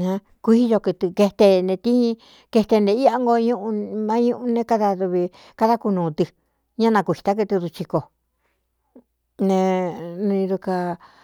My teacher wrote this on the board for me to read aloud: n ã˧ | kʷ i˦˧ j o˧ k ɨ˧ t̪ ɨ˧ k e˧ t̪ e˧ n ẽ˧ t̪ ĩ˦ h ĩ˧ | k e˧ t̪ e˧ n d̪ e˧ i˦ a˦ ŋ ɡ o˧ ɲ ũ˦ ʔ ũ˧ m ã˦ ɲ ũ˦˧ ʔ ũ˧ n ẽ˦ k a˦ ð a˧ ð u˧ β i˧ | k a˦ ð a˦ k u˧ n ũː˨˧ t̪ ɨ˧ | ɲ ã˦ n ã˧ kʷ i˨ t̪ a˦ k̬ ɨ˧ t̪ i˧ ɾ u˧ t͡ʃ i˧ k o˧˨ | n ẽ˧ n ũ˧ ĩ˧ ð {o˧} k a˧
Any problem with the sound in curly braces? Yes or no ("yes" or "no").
yes